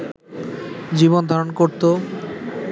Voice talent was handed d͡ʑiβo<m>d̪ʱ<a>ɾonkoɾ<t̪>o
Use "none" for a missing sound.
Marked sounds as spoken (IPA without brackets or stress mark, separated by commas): n, a, t̪